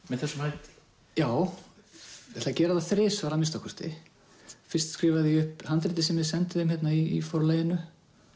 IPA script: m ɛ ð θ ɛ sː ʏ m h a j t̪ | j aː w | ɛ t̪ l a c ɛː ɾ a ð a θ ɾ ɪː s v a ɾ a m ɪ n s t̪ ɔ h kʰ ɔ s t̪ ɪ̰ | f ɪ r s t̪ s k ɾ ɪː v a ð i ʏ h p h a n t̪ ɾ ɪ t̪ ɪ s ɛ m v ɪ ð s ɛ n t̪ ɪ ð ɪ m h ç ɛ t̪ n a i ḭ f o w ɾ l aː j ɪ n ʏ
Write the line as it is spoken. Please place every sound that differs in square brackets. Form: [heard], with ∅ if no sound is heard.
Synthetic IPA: m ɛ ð θ ɛ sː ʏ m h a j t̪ | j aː w | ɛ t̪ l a c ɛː ɾ a ð a θ ɾ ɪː s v a ɾ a m ɪ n s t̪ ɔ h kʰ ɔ s t̪ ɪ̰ | f ɪ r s t̪ s k ɾ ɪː v a ð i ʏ h p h a n t̪ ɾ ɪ t̪ ɪ s ɛ m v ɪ ð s ɛ n t̪ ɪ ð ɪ m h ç ɛ t̪ n a i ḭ f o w ɾ l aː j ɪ n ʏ

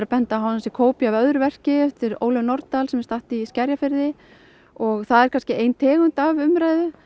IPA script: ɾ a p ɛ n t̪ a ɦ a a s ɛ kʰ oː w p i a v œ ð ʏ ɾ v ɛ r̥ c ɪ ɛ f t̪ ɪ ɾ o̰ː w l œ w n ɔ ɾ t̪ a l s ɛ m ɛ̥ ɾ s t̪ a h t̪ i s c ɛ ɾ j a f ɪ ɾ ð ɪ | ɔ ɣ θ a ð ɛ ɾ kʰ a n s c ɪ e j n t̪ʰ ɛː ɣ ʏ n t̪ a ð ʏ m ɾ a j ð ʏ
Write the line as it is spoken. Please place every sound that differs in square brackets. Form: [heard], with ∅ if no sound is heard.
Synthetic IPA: ɾ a p ɛ n t̪ a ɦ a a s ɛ kʰ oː w p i a v œ ð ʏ ɾ v ɛ r̥ c ɪ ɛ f t̪ ɪ ɾ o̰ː w l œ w n ɔ ɾ t̪ a l s ɛ m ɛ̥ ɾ s t̪ a h t̪ i s c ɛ ɾ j a f ɪ ɾ ð ɪ | ɔ ɣ θ a ð ɛ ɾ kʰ a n s c ɪ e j n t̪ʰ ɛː ɣ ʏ n t̪ a [v] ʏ m ɾ a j ð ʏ

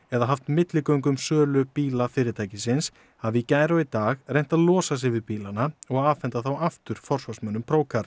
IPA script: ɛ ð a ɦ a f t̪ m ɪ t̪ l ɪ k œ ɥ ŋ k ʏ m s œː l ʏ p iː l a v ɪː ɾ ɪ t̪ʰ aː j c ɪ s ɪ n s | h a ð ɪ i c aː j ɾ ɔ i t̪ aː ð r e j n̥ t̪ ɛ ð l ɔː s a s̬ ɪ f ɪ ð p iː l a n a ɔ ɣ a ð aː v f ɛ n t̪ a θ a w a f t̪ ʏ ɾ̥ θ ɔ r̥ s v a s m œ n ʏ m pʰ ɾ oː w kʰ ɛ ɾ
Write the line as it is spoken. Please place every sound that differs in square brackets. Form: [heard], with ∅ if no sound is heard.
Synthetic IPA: ɛ ð a ɦ a f t̪ m ɪ t̪ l ɪ k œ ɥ ŋ k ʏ m s œː l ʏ p iː l a [f] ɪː ɾ ɪ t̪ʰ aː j c ɪ s ɪ n s | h a [v] ɪ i c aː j ɾ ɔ i t̪ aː [ɣ] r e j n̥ t̪ [a] ð l ɔː s a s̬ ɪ [v] ɪ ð p iː l a n a ɔ ɣ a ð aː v f ɛ n t̪ a θ a w a f t̪ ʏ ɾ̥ [f] ɔ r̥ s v a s m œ n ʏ m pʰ ɾ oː w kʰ [a] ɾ

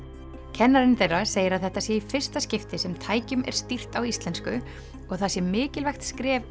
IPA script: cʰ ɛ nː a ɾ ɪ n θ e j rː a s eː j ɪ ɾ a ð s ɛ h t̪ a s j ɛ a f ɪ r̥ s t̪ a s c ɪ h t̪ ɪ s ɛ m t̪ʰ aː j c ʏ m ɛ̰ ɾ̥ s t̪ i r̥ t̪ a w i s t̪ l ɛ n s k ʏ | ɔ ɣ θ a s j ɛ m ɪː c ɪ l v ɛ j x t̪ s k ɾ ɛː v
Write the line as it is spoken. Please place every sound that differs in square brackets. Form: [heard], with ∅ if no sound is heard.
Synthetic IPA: cʰ ɛ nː a ɾ ɪ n θ e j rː a s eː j ɪ ɾ a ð [θ] ɛ h t̪ a s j ɛ [i] f ɪ r̥ s t̪ a s c ɪ [f] t̪ ɪ s ɛ m t̪ʰ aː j c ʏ m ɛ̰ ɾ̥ s t̪ i r̥ t̪ a w i s t̪ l ɛ n s k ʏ | ɔ ɣ θ a s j ɛ m ɪː c ɪ l v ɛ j x t̪ s k ɾ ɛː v

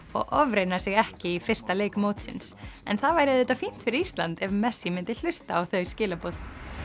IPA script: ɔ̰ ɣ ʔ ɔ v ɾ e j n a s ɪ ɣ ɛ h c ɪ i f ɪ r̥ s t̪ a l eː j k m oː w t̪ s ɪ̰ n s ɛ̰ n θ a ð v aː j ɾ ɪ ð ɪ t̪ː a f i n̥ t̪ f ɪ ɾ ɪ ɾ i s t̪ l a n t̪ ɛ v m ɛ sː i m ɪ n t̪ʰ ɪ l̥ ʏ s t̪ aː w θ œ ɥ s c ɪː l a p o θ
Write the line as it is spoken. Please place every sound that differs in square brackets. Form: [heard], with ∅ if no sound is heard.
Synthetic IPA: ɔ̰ ɣ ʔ ɔ v ɾ e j n a s ɪ ɣ ɛ h c ɪ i f ɪ r̥ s t̪ a l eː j k m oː w t̪ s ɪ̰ n s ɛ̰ n θ a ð v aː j ɾ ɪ ð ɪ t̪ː a f i n̥ t̪ f ɪ ɾ ɪ ɾ i s t̪ l a n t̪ ɛ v m ɛ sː i m ɪ n [t̪] ɪ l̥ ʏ s t̪ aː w θ œ ɥ s c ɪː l a p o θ

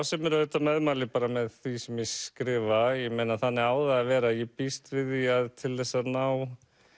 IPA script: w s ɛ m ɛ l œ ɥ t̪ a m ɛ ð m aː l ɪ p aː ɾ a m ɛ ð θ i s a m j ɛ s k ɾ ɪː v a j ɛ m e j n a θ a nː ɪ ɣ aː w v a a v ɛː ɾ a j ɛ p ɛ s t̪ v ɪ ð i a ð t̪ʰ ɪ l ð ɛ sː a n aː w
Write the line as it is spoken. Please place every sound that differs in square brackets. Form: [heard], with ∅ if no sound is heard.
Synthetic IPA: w s ɛ m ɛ [ɾ] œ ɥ t̪ a m ɛ ð m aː l ɪ p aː ɾ a m ɛ ð θ i s [ɛ] m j ɛ s k ɾ ɪː v a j ɛ m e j n a θ a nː ɪ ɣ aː w [ð] a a v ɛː ɾ a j ɛ p [i] s t̪ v ɪ ð i a ð t̪ʰ ɪ l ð ɛ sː a n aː w

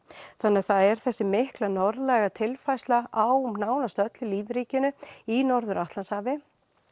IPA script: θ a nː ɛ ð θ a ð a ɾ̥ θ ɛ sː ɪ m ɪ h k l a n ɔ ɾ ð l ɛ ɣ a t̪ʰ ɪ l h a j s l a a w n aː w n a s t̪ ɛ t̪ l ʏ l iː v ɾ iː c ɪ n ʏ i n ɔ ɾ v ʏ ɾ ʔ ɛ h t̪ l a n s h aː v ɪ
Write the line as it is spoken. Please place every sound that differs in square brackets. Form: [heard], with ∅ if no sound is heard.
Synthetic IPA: θ a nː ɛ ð θ a ð [ɛ] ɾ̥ θ ɛ sː ɪ m ɪ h k l a n ɔ ɾ ð l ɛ ɣ a t̪ʰ ɪ l [f] a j s l a a w n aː w n a s t̪ [œ] t̪ l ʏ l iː v ɾ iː c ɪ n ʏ i n ɔ ɾ [ð] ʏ ɾ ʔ [a] h t̪ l a n s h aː v ɪ

